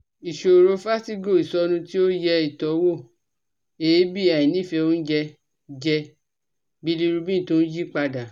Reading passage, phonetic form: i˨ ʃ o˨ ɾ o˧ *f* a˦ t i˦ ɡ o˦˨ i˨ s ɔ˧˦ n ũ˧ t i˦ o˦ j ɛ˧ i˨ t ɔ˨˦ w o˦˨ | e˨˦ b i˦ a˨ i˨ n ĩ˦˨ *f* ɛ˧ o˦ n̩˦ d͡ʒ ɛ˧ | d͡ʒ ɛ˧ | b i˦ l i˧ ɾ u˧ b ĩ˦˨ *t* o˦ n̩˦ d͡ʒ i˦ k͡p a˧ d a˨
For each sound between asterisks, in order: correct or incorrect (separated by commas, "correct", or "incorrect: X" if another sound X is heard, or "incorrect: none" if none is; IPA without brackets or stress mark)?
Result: correct, correct, correct